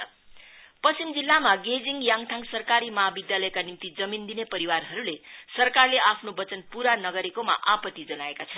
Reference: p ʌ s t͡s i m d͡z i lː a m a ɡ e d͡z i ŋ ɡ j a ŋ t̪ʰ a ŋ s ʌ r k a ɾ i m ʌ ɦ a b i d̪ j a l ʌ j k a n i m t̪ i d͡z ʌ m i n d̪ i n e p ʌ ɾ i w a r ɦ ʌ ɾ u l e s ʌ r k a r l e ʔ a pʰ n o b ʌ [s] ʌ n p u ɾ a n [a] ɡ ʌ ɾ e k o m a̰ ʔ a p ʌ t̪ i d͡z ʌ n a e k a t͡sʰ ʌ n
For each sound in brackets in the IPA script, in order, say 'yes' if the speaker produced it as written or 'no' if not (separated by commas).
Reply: no, no